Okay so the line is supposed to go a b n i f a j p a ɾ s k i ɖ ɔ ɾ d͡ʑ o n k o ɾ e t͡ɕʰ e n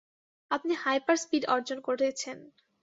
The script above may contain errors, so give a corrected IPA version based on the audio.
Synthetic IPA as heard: a p n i h a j p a ɾ s p i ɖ ɔ ɾ d͡ʑ o n k o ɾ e t͡ɕʰ e n